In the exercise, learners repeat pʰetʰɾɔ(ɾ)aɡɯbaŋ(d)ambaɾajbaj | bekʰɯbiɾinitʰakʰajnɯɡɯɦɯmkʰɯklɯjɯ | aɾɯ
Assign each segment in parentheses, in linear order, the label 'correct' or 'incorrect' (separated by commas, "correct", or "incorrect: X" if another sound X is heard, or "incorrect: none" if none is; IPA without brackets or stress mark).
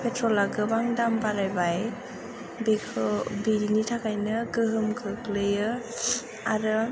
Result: incorrect: l, correct